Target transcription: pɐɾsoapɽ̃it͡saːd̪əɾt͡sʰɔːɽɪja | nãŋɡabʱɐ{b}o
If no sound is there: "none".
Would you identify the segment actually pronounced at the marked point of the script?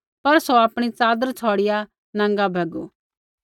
ɡ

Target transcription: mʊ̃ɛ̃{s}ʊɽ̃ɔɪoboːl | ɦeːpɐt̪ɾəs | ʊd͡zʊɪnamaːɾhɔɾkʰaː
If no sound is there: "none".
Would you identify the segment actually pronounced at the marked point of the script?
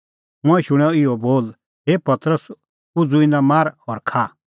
ʃ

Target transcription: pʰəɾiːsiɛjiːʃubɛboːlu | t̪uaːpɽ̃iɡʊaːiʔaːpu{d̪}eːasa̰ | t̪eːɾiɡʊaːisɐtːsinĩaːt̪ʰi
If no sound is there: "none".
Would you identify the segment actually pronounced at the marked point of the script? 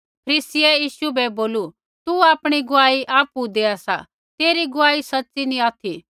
d̪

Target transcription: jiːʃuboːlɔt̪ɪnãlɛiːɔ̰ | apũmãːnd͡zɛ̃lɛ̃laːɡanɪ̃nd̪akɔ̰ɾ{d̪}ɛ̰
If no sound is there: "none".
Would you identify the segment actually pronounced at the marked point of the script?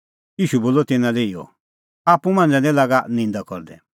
d̪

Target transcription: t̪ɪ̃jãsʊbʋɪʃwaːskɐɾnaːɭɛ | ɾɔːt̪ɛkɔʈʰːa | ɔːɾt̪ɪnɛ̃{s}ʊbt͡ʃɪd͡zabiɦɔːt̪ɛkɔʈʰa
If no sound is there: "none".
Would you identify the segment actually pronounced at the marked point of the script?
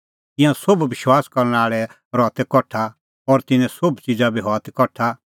s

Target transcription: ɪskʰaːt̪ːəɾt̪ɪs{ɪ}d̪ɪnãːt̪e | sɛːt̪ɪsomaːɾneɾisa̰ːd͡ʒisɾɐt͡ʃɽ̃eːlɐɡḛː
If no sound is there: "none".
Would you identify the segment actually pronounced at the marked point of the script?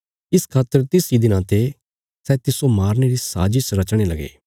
i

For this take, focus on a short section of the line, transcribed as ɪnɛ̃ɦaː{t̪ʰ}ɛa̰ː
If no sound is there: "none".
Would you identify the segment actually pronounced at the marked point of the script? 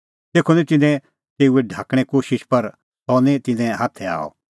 t̪ʰ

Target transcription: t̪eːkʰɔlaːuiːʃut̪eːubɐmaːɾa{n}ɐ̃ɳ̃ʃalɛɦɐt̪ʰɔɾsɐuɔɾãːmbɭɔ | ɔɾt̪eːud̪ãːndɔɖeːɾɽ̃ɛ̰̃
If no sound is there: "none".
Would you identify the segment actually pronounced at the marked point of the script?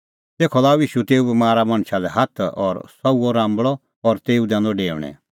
m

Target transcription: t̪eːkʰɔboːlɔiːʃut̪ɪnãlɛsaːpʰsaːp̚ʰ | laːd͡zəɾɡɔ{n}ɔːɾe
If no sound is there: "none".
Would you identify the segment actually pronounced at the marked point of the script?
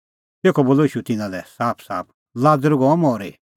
m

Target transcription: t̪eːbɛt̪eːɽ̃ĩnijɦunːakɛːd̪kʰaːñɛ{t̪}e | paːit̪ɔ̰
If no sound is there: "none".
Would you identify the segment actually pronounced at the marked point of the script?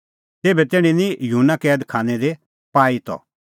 d̪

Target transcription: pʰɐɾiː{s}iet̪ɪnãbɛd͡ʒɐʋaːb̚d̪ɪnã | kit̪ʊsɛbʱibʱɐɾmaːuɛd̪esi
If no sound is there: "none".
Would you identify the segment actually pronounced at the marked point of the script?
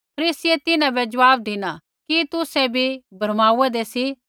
s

